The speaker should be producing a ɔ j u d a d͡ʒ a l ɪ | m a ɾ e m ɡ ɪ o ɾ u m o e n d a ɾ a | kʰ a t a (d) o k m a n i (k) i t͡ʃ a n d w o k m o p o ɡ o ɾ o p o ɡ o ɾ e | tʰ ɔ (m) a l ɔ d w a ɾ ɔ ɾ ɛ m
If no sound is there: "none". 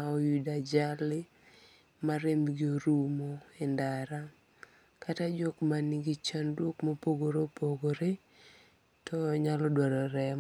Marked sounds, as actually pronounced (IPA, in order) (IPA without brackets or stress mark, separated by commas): d͡ʒ, ɡ, ɲ